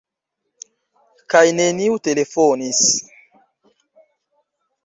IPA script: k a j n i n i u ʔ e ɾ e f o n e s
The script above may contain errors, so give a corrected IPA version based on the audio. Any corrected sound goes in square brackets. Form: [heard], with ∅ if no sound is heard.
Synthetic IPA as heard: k a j n [e] n i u [t] e [l] e f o n [i] s